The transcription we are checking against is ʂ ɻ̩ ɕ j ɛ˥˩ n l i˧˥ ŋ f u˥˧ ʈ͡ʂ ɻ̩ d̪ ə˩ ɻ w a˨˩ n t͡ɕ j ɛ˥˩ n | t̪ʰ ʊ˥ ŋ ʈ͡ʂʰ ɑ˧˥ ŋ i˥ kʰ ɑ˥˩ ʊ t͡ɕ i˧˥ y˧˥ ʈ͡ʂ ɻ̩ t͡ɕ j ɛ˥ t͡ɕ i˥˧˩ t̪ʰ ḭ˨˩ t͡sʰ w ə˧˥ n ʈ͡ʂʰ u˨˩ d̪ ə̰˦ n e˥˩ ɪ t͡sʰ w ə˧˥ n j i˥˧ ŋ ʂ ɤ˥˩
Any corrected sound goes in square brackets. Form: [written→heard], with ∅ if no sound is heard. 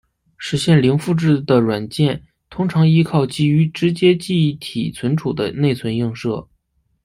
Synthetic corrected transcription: ʂ ɻ̩ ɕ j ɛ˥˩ n l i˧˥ ŋ f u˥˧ ʈ͡ʂ ɻ̩ d̪ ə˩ ɻ w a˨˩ n t͡ɕ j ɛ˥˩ n | t̪ʰ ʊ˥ ŋ ʈ͡ʂʰ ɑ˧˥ ŋ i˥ kʰ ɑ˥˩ ʊ t͡ɕ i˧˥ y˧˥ ʈ͡ʂ ɻ̩ t͡ɕ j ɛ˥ t͡ɕ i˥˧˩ t̪ʰ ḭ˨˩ t͡sʰ w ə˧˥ n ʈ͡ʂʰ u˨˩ d̪ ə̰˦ n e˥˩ ɪ t͡sʰ w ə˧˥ n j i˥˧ ŋ ʂ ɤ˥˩